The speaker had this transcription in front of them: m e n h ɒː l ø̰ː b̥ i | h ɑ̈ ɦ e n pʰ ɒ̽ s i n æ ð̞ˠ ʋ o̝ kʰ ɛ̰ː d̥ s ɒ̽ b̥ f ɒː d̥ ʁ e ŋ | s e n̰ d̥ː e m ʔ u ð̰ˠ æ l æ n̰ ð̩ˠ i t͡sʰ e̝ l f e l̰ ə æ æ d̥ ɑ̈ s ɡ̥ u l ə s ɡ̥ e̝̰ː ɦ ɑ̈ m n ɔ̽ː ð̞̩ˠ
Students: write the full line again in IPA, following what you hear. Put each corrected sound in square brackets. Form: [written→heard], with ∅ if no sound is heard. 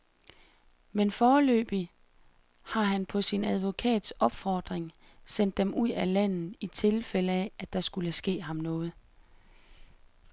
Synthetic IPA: m e n [h→f] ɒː l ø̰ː b̥ i | h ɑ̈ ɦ [e→æ] n pʰ ɒ̽ s i n æ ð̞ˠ ʋ o̝ kʰ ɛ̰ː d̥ s ɒ̽ b̥ f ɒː d̥ ʁ e ŋ | s e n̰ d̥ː e m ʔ u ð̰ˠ æ l æ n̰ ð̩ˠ i t͡sʰ e̝ l f e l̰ ə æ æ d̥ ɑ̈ s ɡ̥ u l ə s ɡ̥ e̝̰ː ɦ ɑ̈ m n ɔ̽ː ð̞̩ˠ